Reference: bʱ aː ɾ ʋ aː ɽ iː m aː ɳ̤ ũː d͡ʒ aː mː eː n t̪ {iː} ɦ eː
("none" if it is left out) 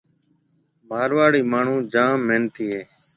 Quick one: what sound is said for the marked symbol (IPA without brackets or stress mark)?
iː